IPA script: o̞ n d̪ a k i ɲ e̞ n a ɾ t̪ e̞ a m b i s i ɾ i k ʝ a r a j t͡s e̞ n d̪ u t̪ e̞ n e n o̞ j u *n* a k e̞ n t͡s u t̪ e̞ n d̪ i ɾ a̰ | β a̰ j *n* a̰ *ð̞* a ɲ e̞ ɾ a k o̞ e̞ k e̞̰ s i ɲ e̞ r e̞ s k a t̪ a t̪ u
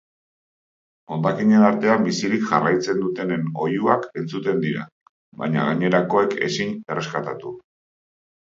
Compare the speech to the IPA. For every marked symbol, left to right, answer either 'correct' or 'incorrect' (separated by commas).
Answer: incorrect, incorrect, incorrect